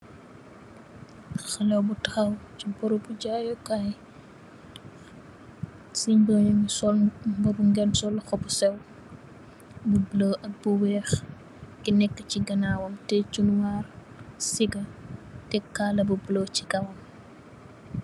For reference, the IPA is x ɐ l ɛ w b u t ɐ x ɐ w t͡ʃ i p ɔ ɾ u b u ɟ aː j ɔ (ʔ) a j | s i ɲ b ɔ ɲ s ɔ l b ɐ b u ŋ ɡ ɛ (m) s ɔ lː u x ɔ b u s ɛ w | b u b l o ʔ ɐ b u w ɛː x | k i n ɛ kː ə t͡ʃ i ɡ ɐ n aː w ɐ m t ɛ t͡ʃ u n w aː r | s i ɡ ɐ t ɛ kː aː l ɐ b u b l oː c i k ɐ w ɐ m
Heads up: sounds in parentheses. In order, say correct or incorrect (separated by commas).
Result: incorrect, incorrect